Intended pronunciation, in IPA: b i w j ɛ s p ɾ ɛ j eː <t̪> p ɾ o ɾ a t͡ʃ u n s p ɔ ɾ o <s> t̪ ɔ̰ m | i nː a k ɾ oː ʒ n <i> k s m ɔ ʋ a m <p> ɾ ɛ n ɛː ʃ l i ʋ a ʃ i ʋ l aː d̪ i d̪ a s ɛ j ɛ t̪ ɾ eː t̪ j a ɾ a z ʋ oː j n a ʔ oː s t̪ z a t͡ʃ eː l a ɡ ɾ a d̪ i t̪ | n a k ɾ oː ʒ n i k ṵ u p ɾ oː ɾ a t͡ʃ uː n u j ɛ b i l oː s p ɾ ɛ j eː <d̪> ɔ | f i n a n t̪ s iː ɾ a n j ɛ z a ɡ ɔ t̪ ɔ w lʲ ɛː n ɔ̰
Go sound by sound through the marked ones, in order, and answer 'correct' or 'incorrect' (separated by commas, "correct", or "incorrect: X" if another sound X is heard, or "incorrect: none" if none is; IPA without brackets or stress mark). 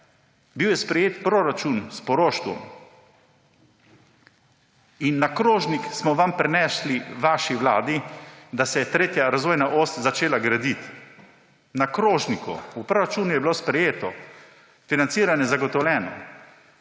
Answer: correct, incorrect: ʃ, correct, correct, incorrect: t̪